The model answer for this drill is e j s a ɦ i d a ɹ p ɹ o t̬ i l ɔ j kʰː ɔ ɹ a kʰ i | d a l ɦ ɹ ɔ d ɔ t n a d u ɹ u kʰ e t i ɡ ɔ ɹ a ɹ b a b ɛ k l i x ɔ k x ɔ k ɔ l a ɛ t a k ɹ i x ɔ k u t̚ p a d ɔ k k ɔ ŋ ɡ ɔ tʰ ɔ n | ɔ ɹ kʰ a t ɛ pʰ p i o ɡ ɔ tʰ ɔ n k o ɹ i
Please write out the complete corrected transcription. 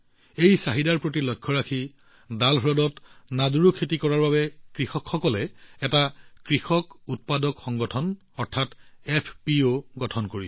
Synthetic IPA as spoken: e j s a ɦ i d a ɹ p ɹ o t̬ i l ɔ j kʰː ɔ ɹ a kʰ i | d a l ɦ ɹ ɔ d ɔ t n a d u ɹ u kʰ e t i k ɔ ɹ a ɹ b a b ɛ k ɹ i x ɔ k x ɔ k ɔ l ɛ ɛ t a k ɹ i x ɔ k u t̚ p a d ɔ k x ɔ ŋ ɡ ɔ tʰ ɔ n | ɔ ɹ tʰ a t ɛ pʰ p i o ɡ ɔ tʰ ɔ n k o ɹ i

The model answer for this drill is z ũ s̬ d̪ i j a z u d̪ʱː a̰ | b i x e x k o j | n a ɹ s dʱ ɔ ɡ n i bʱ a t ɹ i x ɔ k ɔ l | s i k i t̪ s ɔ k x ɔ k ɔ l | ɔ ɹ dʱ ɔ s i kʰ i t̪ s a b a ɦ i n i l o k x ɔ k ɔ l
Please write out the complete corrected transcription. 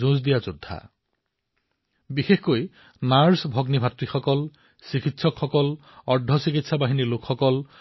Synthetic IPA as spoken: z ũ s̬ d̪ i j a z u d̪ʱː a̰ | b i x e x k o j | n a ɹ s bʱ ɔ ɡ n i bʱ a t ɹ i x ɔ k ɔ l | s i k i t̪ s ɔ k x ɔ k ɔ l | ɔ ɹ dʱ ɔ s i k i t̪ s a b a ɦ i n i l o k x ɔ k ɔ l

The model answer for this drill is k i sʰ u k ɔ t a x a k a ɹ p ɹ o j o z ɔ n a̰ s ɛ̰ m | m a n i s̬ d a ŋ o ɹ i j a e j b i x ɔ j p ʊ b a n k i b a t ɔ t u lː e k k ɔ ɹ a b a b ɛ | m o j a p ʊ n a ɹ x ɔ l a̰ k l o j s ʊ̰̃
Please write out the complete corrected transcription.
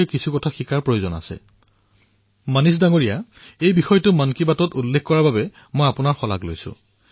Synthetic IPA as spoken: k i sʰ u k ɔ tʰ a x i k a ɹ p ɹ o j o z ɔ n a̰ s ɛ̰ | m a n i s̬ d a ŋ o ɹ i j a e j b i x ɔ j t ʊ m a n k i b a t ɔ t u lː e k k ɔ ɹ a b a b ɛ | m o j a p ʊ n a ɹ x ɔ l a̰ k l o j s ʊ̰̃

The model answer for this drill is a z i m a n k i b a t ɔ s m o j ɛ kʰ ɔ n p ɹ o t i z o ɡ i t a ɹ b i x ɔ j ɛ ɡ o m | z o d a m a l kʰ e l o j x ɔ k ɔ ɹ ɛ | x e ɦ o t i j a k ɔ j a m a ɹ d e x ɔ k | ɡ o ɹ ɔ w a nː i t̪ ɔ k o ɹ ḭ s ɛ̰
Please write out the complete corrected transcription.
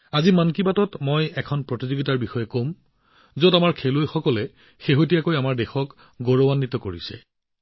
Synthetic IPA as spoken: a z i m a n k i b a t ɔ t m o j ɛ kʰ ɔ n p ɹ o t i z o ɡ i t a ɹ b i x ɔ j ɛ k o m | z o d a m a ɹ kʰ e l o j x ɔ k ɔ l ɛ | x e ɦ o t i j a k o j a m a ɹ d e x ɔ k | ɡ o ɹ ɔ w a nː i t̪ ɔ k o ɹ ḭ s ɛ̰

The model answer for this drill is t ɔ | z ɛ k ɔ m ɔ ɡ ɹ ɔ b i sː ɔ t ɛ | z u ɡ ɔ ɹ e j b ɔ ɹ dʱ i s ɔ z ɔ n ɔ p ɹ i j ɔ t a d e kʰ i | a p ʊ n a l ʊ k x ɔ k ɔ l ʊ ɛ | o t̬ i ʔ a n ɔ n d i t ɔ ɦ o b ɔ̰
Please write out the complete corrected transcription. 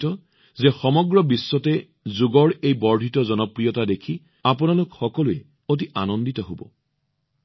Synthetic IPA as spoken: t ɔ | z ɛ x ɔ m ɔ ɡ ɹ ɔ b i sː ɔ t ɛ | z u ɡ ɔ ɹ e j b ɔ ɹ dʱ i t ɔ z ɔ n ɔ p ɹ i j ɔ t a d e kʰ i | a p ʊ n a l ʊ k x ɔ k ɔ l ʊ ɛ | o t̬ i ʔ a n ɔ n d i t ɔ ɦ o b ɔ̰

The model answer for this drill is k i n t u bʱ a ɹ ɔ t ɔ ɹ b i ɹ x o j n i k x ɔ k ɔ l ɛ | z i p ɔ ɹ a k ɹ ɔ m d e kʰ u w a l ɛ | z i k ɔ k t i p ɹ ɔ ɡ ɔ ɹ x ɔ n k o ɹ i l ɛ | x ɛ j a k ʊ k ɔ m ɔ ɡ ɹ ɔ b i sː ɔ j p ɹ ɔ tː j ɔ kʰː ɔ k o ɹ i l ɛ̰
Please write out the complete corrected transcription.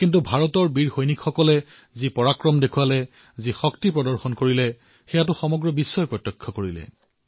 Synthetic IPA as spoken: k i n t u bʱ a ɹ ɔ t ɔ ɹ b i ɹ x o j n i k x ɔ k ɔ l ɛ | z i p ɔ ɹ a k ɹ ɔ m d e kʰ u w a l ɛ | z i x ɔ k t i p ɹ ɔ d ɔ ɹ x ɔ n k o ɹ i l ɛ | x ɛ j a t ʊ x ɔ m ɔ ɡ ɹ ɔ b i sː ɔ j p ɹ ɔ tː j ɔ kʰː ɔ k o ɹ i l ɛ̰

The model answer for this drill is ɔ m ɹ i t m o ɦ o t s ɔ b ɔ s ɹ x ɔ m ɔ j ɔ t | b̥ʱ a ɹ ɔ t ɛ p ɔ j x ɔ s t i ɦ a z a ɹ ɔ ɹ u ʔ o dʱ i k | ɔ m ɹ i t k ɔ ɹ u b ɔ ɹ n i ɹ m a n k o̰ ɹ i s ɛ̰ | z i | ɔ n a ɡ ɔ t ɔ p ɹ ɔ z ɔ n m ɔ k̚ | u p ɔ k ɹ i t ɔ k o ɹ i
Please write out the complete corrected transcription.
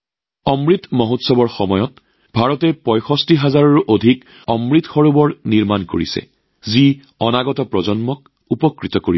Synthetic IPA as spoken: ɔ m ɹ i t m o ɦ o t s ɔ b ɔ ɹ x ɔ m ɔ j ɔ t | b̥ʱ a ɹ ɔ t ɛ p ɔ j x ɔ s t i ɦ a z a ɹ ɔ ɹ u ʔ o dʱ i k | ɔ m ɹ i t x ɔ ɹ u b ɔ ɹ n i ɹ m a n k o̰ ɹ i s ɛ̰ | z i | ɔ n a ɡ ɔ t ɔ p ɹ ɔ z ɔ n m ɔ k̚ | u p ɔ k ɹ i t ɔ k o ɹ i

